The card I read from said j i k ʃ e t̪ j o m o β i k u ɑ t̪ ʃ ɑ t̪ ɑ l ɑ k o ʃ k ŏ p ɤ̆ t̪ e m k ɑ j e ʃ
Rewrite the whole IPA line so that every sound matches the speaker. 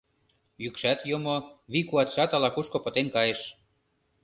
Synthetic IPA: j y k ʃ æ t̪ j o m o β i k u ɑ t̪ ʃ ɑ t̪ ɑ l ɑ k u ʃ k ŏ p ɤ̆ t̪ e n k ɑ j e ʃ